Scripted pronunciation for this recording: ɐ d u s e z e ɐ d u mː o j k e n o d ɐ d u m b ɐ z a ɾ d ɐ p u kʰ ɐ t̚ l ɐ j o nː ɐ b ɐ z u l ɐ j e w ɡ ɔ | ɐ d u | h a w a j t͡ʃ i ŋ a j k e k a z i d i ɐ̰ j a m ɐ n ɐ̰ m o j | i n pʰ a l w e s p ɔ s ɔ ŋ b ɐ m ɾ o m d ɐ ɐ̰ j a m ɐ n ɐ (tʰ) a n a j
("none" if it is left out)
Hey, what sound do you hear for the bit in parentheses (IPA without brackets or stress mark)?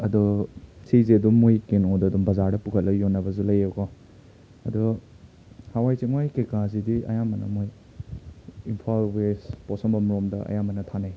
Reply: tʰ